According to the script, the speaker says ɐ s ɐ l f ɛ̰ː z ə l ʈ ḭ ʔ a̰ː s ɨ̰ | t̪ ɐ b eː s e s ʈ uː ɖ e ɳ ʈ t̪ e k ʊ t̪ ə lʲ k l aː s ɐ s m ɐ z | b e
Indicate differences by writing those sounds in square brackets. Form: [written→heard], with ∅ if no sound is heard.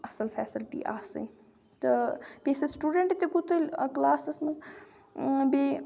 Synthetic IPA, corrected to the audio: ɐ s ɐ l f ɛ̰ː [z→s] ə l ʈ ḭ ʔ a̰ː s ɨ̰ | t̪ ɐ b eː s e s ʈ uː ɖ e ɳ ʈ t̪ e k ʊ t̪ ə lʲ k l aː s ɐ s m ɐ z | b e